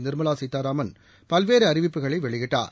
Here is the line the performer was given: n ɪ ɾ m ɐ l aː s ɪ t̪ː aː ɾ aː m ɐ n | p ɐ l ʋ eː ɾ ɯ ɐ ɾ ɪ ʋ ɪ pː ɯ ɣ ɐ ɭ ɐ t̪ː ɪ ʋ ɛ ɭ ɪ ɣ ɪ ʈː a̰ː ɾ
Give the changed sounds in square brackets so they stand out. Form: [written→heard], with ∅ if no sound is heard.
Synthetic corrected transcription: n ɪ ɾ m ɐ l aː s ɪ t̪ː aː ɾ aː m ɐ n | p ɐ l ʋ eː ɾ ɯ ɐ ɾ ɪ ʋ ɪ pː ɯ ɣ ɐ ɭ ɐ [t̪ː→∅] ɪ ʋ ɛ ɭ ɪ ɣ ɪ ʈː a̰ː ɾ